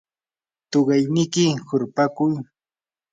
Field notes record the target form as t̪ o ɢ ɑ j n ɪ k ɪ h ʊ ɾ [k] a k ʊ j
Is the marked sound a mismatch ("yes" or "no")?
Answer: yes